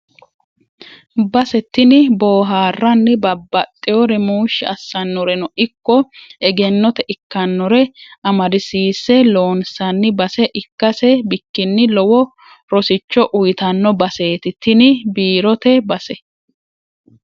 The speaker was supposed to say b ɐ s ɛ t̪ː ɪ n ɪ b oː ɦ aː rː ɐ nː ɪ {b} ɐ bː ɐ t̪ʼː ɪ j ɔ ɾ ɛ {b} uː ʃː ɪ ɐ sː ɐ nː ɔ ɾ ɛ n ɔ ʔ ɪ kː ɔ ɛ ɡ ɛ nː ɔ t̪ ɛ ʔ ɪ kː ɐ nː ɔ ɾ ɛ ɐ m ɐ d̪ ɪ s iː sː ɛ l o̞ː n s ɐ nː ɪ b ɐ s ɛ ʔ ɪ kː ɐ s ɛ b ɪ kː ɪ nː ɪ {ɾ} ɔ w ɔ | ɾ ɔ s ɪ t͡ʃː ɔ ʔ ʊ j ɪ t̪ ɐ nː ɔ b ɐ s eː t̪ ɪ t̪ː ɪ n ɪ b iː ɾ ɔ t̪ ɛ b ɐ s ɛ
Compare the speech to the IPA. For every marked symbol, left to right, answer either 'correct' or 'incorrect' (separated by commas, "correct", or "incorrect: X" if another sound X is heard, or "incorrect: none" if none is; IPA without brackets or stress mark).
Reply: correct, incorrect: m, incorrect: l